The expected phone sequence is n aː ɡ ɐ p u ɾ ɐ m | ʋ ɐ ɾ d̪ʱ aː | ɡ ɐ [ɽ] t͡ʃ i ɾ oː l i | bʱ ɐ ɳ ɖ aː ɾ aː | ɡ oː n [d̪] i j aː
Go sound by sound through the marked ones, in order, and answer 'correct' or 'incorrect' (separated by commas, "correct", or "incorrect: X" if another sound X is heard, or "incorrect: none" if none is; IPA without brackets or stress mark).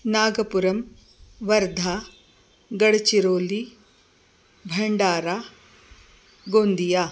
correct, correct